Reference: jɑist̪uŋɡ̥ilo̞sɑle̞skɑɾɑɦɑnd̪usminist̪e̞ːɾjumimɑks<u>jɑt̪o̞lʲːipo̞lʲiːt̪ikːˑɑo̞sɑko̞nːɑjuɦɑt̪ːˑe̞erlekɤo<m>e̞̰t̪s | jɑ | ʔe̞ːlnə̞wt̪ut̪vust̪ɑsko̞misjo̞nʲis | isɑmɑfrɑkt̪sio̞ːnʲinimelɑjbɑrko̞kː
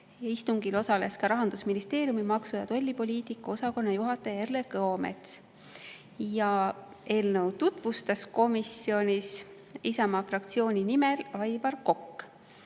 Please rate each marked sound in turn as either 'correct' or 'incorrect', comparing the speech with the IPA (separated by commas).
correct, correct